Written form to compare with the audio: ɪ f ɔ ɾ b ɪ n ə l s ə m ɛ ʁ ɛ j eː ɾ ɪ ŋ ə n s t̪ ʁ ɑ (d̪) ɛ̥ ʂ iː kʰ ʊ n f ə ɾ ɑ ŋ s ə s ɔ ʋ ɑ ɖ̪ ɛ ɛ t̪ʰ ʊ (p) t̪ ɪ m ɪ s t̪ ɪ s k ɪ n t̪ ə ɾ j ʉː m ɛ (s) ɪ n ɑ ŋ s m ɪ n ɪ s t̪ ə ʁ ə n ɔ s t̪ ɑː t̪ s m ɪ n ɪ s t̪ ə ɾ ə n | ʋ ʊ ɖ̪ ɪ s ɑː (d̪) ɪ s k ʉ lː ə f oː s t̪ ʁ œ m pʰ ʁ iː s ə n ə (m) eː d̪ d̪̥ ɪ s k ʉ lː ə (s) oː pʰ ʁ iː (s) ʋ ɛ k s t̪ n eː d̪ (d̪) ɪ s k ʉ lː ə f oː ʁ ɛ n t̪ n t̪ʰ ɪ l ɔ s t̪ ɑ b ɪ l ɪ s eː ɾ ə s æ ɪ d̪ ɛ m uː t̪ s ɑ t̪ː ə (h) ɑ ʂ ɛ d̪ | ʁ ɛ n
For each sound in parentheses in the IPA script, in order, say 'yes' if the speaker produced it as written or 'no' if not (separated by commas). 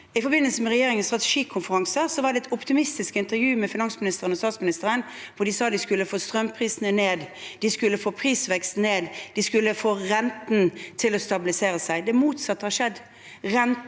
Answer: no, yes, no, yes, no, no, yes, yes, yes